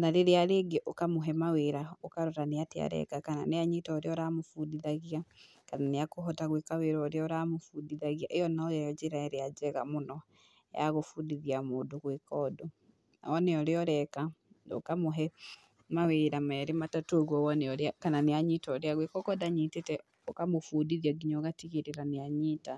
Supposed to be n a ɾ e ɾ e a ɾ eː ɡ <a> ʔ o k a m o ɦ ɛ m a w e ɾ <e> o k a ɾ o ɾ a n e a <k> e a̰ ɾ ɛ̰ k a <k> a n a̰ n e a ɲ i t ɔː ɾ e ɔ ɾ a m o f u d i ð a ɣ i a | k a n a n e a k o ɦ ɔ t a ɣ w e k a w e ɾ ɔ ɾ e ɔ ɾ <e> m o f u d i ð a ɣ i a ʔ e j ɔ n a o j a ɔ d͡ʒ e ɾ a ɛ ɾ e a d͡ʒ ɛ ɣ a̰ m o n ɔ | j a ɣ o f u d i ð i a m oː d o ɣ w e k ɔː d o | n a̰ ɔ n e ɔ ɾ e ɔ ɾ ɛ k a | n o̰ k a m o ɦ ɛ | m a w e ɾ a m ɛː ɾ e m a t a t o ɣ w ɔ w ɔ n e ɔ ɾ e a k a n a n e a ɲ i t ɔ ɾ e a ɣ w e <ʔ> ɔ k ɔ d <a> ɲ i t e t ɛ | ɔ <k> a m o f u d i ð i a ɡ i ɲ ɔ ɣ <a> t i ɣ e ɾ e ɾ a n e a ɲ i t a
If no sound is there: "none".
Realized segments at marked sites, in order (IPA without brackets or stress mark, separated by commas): e, a, t, k, a, k, a, k, a